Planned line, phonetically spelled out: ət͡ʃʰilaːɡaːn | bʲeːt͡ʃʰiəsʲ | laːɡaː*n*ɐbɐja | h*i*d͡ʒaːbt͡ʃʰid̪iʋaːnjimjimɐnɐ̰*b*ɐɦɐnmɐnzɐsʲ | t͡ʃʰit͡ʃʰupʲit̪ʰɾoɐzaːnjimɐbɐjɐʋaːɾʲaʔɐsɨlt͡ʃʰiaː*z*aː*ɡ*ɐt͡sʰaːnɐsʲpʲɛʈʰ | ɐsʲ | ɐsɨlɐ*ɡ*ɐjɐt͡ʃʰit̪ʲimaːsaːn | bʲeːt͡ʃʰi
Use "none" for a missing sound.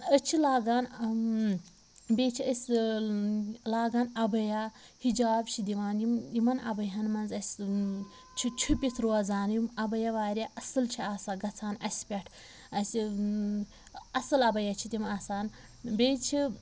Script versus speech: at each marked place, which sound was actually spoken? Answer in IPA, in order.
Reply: n, i, b, s, ɡ, b

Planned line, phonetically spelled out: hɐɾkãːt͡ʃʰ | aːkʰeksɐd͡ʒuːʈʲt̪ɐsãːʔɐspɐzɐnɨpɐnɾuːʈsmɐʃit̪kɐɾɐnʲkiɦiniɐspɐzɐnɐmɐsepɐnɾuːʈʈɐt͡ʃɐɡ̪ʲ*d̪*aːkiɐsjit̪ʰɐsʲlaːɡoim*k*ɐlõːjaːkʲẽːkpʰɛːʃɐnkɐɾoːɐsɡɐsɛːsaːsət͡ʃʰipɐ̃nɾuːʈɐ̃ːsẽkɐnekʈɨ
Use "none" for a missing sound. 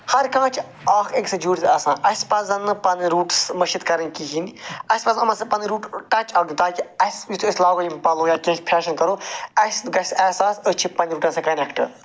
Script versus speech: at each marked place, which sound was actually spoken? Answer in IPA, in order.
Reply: t̪, p

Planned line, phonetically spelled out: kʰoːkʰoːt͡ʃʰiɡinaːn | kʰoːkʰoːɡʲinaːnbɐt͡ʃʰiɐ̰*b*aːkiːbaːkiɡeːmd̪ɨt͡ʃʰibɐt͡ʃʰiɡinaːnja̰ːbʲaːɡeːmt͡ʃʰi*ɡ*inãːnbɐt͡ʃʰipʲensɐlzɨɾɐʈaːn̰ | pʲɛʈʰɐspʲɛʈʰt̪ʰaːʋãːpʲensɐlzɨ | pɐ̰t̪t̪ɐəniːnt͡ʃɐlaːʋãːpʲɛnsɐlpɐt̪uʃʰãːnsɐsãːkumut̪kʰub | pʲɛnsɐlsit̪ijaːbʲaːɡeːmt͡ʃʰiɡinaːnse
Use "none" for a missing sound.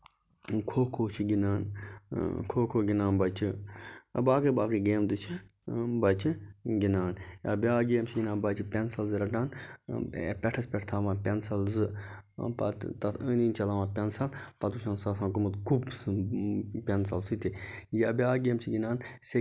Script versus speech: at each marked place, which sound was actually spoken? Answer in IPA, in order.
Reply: b, ɡ

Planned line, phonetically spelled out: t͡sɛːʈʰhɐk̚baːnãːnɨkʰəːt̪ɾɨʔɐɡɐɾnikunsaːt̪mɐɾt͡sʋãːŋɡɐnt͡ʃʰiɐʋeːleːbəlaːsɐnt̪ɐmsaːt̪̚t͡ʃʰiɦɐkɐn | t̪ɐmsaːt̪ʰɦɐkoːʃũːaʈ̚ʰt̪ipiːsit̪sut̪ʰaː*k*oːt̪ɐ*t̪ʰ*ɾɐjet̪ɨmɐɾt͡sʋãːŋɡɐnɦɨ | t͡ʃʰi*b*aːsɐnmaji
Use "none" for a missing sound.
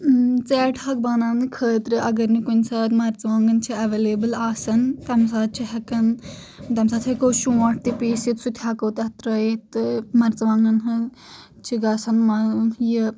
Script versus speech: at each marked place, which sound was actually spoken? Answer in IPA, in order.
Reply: k, t̪, ɡ

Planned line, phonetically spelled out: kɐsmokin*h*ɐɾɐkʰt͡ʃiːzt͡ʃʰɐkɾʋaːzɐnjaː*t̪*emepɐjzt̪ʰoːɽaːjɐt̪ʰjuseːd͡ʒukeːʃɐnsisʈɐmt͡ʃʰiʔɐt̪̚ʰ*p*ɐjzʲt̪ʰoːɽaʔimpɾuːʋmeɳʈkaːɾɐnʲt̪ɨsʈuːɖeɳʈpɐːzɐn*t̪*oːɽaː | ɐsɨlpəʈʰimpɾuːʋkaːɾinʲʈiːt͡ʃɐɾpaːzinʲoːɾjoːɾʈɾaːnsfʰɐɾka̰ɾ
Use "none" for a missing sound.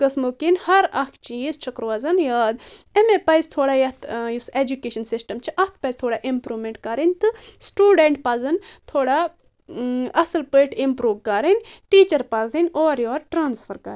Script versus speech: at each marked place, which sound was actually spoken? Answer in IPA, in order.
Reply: h, d̪, p, t̪ʰ

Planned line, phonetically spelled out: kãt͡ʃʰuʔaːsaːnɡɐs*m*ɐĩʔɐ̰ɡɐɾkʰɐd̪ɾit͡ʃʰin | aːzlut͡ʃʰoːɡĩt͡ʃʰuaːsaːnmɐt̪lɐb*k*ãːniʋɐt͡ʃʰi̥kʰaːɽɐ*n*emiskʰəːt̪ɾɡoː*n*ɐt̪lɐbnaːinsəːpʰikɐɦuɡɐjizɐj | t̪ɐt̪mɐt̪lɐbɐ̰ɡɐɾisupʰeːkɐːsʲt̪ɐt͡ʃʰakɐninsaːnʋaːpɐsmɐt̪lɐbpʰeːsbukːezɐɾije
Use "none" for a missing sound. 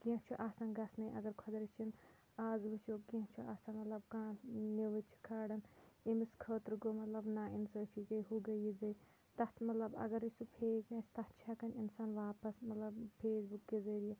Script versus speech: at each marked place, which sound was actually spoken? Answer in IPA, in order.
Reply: n, k, n, m

